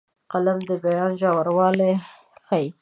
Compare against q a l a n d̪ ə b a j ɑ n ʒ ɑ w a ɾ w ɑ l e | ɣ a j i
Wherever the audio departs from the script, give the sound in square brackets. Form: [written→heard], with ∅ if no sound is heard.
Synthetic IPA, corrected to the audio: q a l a [n→m] d̪ ə b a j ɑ n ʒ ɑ w a ɾ w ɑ l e | [ɣ→x] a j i